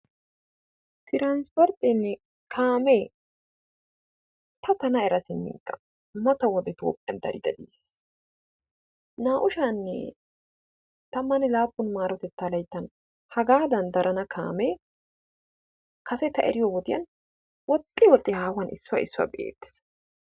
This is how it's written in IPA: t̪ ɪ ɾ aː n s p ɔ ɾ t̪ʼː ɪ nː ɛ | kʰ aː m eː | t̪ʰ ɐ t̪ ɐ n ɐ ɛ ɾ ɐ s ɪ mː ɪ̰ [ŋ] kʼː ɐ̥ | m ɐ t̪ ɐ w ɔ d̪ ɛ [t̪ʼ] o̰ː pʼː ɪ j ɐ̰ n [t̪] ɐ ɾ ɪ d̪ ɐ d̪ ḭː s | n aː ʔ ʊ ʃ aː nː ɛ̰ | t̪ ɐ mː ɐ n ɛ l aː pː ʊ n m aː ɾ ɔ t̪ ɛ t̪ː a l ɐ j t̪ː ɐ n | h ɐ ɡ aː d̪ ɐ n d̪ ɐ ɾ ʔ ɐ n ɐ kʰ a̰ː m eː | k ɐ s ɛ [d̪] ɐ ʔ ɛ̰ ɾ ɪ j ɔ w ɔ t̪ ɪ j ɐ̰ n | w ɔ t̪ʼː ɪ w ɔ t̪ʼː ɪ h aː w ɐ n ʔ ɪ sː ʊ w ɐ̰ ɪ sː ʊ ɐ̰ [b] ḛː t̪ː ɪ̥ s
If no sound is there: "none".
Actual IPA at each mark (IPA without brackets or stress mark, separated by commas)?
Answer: ŋ, t̪, d̪, t̪, b